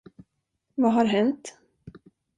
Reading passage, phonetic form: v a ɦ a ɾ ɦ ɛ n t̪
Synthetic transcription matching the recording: v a ɦ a ɾ ɦ ɛ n t̪